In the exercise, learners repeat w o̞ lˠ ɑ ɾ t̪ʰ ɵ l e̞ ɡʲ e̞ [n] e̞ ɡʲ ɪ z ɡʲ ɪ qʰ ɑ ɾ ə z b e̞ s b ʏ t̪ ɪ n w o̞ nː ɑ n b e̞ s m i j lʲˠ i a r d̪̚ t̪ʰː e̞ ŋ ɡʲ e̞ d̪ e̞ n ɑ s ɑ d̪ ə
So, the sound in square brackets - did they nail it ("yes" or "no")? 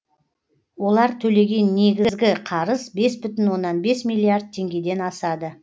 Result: no